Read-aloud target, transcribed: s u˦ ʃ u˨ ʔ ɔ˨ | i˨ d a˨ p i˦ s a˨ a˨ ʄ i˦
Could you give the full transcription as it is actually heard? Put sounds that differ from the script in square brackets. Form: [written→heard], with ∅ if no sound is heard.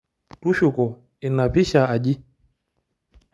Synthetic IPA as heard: [s→t] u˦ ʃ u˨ [ʔ→k] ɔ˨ | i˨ [d→n] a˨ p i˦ [s→ʃ] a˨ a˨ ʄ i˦

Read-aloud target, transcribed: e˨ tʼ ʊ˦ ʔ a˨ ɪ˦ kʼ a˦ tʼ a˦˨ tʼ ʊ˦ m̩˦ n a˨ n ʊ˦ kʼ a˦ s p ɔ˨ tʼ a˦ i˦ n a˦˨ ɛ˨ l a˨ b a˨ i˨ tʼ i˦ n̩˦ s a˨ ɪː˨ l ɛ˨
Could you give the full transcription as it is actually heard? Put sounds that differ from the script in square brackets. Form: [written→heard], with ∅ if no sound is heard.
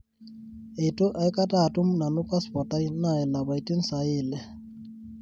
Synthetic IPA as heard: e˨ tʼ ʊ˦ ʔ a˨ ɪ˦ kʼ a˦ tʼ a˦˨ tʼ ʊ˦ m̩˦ n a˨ n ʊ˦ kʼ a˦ s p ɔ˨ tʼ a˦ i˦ n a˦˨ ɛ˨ l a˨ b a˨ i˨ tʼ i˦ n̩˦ s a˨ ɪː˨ l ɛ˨

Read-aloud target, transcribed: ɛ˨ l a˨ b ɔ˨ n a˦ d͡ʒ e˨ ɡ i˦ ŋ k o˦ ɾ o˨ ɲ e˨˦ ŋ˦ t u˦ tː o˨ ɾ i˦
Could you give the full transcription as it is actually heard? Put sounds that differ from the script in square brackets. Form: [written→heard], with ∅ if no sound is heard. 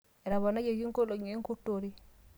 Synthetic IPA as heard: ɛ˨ [l→ɾ] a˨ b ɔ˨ n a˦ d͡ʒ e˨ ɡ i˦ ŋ k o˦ [ɾ→l] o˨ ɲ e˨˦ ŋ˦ [t→k] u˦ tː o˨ ɾ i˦

